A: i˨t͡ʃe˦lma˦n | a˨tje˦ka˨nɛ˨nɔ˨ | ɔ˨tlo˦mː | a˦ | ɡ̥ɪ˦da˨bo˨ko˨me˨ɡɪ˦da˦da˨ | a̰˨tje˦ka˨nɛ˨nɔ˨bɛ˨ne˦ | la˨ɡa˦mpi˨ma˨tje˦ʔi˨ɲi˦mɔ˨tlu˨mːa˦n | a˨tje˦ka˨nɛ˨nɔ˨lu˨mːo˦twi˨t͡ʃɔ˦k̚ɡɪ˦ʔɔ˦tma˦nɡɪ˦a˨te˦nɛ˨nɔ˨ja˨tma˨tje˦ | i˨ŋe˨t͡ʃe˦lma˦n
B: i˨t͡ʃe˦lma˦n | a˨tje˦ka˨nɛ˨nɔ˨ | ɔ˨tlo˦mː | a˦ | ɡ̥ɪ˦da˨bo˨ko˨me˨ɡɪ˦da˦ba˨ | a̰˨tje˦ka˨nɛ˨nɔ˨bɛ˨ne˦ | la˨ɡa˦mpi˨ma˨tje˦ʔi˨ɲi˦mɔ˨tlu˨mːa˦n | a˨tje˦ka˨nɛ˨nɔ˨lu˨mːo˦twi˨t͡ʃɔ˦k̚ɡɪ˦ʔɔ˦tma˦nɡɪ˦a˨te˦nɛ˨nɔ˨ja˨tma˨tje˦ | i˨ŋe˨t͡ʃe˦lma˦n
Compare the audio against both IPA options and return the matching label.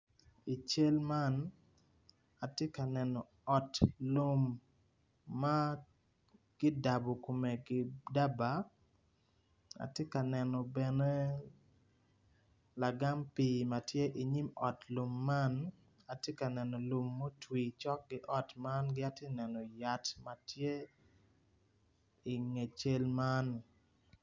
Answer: B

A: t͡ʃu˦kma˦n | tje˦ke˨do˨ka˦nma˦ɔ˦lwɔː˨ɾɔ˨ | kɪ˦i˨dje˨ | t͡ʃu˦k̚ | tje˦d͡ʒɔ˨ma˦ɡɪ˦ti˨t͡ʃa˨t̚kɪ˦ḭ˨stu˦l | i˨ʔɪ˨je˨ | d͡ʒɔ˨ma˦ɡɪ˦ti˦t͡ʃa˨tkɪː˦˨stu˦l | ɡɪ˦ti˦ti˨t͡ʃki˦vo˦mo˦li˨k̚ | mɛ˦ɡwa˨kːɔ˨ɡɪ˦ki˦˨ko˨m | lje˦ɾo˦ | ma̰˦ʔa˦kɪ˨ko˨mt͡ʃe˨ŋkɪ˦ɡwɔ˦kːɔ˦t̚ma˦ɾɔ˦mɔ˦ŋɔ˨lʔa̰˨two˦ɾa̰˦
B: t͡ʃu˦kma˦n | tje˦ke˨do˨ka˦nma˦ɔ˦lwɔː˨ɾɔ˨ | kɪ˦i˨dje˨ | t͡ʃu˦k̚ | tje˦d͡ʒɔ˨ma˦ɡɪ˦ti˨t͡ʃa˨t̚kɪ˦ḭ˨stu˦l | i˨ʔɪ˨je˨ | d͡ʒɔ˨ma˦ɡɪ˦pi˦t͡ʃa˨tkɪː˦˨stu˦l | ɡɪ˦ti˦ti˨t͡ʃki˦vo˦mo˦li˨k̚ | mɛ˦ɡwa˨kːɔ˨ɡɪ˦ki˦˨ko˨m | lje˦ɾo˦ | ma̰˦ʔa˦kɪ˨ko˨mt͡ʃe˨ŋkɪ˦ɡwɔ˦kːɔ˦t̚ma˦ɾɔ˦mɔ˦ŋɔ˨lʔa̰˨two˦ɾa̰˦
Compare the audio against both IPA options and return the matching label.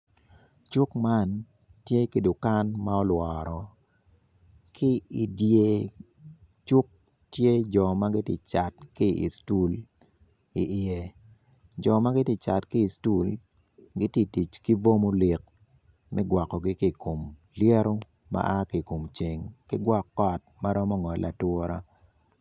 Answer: A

